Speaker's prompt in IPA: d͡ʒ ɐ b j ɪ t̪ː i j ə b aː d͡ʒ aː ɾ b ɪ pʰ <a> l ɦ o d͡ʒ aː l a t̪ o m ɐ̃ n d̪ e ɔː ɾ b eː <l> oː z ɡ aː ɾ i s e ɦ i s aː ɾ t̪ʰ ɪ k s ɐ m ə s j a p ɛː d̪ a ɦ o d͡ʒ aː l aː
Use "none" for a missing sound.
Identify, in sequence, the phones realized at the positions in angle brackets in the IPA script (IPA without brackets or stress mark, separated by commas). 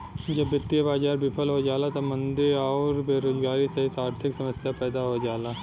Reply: ə, ɾ